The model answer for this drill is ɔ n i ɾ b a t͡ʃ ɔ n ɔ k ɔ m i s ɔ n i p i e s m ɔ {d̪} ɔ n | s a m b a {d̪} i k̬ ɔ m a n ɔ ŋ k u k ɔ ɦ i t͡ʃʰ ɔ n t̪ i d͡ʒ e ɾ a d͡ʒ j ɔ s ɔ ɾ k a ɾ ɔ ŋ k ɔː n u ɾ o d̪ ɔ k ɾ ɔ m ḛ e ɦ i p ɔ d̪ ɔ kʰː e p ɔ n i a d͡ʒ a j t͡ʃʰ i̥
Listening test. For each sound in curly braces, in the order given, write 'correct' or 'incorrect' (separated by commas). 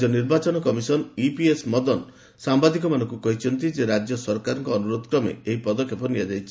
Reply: correct, correct